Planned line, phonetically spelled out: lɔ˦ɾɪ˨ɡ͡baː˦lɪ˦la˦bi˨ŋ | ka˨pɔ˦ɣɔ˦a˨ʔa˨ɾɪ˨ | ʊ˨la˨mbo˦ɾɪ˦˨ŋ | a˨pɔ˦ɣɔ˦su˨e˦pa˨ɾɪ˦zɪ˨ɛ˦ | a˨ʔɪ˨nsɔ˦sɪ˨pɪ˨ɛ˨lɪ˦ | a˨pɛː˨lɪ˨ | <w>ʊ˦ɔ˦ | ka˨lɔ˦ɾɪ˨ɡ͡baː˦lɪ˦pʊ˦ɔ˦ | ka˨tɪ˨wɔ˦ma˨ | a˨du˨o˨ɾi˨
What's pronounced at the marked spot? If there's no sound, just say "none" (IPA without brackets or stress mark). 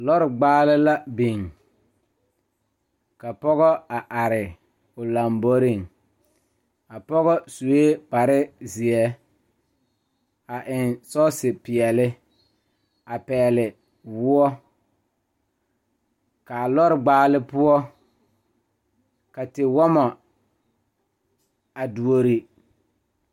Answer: w